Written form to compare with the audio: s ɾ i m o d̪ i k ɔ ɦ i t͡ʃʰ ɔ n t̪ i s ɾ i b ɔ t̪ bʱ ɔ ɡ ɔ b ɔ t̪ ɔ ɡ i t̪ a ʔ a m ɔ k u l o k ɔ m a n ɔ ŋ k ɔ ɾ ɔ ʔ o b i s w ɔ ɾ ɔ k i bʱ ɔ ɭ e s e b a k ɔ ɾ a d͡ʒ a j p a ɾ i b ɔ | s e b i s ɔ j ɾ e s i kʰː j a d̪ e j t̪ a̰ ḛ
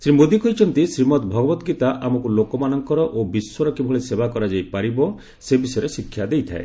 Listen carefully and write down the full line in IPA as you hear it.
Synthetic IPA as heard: s ɾ i m o d̪ i k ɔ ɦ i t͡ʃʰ ɔ n t̪ i s ɾ i m ɔ t̪ bʱ ɔ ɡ ɔ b ɔ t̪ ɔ ɡ i t̪ a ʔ a m ɔ k u l o k ɔ m a n ɔ ŋ k ɔ ɾ ɔ ʔ o b i s w ɔ ɾ ɔ k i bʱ ɔ ɭ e s e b a k ɔ ɾ a d͡ʒ a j p a ɾ i b ɔ | s e b i s ɔ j ɾ e s i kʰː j a d̪ e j t̪ʰ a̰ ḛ

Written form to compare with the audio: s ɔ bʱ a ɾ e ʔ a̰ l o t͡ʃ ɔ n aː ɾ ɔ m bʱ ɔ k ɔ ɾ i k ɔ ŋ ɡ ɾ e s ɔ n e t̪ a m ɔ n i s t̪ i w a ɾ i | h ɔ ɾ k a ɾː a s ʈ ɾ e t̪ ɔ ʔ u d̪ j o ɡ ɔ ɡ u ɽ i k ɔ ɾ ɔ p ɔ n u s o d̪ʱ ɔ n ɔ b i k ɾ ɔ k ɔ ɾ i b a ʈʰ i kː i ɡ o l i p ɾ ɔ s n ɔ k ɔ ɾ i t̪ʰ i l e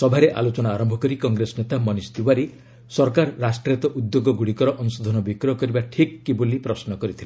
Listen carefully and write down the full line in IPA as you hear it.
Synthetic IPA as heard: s ɔ bʱ a ɾ e ʔ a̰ l o t͡ʃ ɔ n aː ɾ ɔ m bʱ ɔ k ɔ ɾ i k ɔ ŋ ɡ ɾ e s ɔ n e t̪ a m ɔ n i s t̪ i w a ɾ i | s ɔ ɾ k a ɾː a s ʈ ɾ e t̪ ɔ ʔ u d̪ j o ɡ ɔ ɡ u ɽ i k ɔ ɾ ɔ ʔ ɔ n u s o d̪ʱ ɔ n ɔ b i k ɾ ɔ k ɔ ɾ i b a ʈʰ i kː i b o l i p ɾ ɔ s n ɔ k ɔ ɾ i t̪ʰ i l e

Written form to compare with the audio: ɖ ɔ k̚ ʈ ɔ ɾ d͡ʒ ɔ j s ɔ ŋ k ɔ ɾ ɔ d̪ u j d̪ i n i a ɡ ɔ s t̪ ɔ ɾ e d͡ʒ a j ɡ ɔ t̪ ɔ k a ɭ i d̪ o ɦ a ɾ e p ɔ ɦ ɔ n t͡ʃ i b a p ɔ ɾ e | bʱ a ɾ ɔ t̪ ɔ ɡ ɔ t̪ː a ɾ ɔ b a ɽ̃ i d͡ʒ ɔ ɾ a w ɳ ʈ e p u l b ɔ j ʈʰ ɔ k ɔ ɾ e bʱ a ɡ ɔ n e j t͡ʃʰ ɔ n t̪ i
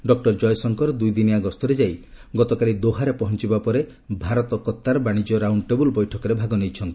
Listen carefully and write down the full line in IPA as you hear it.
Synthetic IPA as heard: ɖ ɔ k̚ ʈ ɔ ɾ d͡ʒ ɔ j s ɔ ŋ k ɔ ɾ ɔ d̪ u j d̪ i n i a ɡ ɔ s t̪ ɔ ɾ e d͡ʒ a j ɡ ɔ t̪ ɔ k a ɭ i d̪ o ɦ a ɾ e p ɔ ɦ ɔ n t͡ʃ i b a p ɔ ɾ e | bʱ a ɾ ɔ t̪ ɔ k ɔ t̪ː a ɾ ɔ b a ɽ̃ i d͡ʒ ɔ ɾ a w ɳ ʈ e b u l b ɔ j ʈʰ ɔ k ɔ ɾ e bʱ a ɡ ɔ n e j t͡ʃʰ ɔ n t̪ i

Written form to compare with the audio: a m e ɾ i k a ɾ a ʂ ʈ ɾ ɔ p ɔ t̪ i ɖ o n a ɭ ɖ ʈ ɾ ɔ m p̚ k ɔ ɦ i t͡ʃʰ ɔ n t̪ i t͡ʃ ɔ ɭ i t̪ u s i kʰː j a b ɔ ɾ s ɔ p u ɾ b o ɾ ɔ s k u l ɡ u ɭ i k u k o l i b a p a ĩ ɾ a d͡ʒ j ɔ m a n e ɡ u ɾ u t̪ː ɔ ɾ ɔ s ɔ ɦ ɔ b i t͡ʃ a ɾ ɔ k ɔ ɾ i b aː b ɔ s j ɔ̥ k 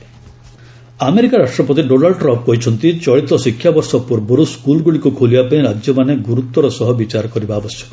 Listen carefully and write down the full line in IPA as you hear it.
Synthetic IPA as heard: a m e ɾ i k a ɾ a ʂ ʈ ɾ ɔ p ɔ t̪ i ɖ o n a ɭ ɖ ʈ ɾ ɔ m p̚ k ɔ ɦ i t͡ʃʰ ɔ n t̪ i t͡ʃ ɔ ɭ i t̪ ɔ s i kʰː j a b ɔ ɾ s ɔ p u ɾ b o ɾ u s k u l ɡ u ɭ i k u kʰ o l i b a p a ĩ ɾ a d͡ʒ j ɔ m a n e ɡ u ɾ u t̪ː ɔ ɾ ɔ s ɔ ɦ ɔ b i t͡ʃ a ɾ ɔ k ɔ ɾ i b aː b ɔ s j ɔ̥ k

